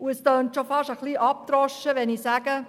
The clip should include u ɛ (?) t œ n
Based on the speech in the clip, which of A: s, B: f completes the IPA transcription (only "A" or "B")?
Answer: A